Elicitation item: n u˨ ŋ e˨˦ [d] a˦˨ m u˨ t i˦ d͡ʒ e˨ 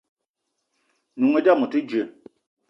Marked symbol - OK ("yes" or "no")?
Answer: yes